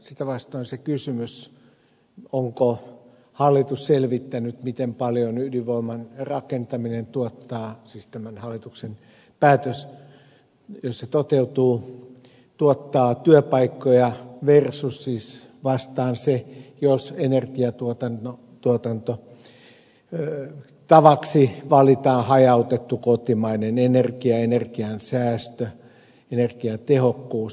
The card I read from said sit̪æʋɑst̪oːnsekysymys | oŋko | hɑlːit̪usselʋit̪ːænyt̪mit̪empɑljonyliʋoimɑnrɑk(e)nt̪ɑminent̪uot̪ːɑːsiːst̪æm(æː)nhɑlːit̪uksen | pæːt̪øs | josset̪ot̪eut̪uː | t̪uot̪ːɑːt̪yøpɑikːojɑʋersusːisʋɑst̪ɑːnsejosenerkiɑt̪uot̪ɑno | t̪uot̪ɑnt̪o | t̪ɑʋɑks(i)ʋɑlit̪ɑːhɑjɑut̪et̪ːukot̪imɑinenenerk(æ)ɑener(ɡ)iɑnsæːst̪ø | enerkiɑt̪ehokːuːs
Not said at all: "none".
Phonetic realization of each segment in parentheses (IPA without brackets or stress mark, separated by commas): e, æ, i, i, k